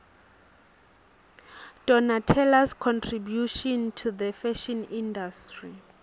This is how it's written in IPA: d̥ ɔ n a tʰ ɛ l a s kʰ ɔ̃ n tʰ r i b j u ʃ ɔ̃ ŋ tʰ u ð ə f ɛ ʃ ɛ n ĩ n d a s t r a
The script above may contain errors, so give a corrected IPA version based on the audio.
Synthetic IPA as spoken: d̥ ɔ n a tʰ ɛ l a s kʰ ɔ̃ n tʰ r i b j u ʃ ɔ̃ n tʰ u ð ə f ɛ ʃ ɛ n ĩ n d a s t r i

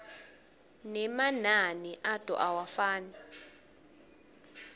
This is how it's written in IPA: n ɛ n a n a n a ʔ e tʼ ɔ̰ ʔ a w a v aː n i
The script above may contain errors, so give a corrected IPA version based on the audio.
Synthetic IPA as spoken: n ɛ m a n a n i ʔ a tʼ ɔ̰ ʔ a w a f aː n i

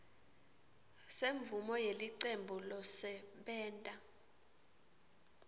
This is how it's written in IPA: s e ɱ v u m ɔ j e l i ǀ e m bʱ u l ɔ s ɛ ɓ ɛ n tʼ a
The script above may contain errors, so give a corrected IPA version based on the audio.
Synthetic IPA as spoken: s e ɱ v u m ɔ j e l i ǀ e m bʱ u l ɔ s ɛ ɓ ɛː n tʼ a

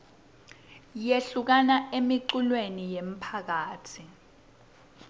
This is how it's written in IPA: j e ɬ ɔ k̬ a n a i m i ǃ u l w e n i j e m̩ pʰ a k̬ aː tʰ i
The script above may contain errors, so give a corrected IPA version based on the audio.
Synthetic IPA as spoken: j e ɬ u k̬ a n a e m i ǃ u l w e n i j e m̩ pʰ a k̬ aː tʰ i

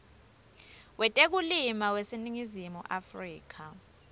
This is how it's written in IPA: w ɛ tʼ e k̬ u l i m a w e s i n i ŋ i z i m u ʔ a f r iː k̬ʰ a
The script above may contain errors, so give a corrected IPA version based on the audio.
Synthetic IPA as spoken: w ɛ tʼ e k̬ u l i m a w e s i n i ŋ i z i m u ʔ a f r iː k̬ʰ a

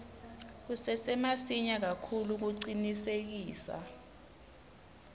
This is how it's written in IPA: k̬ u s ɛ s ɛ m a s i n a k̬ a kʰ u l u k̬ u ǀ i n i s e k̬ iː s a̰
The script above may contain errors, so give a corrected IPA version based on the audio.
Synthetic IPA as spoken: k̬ u s ɛ s ɛ m a s i ɲ a k̬ a kʰ u l u k̬ u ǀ i n i s e k̬ iː s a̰

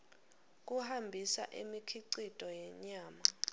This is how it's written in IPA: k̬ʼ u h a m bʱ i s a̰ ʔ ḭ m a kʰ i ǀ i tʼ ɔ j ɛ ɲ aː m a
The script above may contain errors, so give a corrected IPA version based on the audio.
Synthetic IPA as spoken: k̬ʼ u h a m bʱ i s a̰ ʔ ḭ m i kʰ i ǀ i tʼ ɔ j ɛ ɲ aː m a

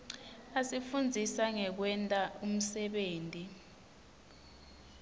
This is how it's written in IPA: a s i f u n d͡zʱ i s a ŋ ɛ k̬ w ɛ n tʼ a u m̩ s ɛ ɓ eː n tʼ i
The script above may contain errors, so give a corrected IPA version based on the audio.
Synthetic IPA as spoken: a s i f u n d͡zʱ i s a ŋ ɛ k̬ w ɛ n tʼ a u m̩ s ɛ ɓ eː n tʼ i

